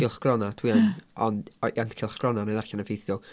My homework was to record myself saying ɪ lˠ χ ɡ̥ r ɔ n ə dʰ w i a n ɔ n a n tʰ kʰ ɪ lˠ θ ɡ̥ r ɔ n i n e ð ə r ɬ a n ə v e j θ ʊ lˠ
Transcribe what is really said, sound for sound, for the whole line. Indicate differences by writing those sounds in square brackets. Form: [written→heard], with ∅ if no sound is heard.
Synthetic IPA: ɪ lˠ χ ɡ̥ r ɔ n [ə→a] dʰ w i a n ɔ n a n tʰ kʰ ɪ lˠ [θ→χ] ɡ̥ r ɔ n [i→a] n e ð [ə→a] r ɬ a n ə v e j θ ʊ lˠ